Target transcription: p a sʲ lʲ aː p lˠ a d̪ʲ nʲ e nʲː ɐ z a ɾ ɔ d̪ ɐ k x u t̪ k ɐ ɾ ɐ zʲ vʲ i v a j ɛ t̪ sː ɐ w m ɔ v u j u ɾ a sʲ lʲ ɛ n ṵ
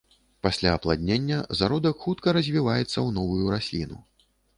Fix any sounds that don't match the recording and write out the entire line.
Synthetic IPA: p a sʲ lʲ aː p lˠ a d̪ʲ nʲ e nʲː ɐ z a ɾ ɔ d̪ ɐ k x u t̪ k ɐ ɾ ɐ zʲ vʲ i v a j ɛ t̪ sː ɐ w n ɔ v u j u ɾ a sʲ lʲ i n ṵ